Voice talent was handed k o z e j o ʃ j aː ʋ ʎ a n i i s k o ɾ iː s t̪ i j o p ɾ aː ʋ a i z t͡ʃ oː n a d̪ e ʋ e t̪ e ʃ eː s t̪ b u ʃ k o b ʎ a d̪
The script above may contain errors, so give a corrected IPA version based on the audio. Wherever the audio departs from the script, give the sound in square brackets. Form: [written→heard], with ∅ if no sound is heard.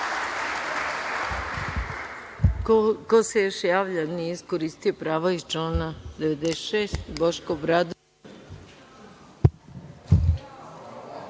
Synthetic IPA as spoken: k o [z→s] e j o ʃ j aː ʋ ʎ a n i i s k o ɾ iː s t̪ i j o p ɾ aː ʋ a i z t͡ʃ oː n a d̪ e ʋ e [t̪→d̪] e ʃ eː s t̪ b [u→o] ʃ k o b [ʎ→ɾ] a d̪